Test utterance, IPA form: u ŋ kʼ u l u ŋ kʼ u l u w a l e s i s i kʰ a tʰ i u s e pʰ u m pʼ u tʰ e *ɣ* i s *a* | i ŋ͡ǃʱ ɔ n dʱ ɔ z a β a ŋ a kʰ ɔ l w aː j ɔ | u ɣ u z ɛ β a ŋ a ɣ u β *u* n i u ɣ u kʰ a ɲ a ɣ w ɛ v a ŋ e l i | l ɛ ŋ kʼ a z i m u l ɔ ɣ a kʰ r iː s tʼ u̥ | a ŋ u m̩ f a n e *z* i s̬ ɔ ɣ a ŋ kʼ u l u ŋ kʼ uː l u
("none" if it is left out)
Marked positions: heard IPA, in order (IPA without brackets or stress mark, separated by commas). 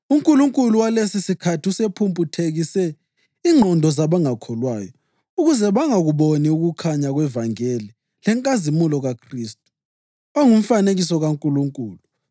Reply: ɣ, ɛ, o, ɣ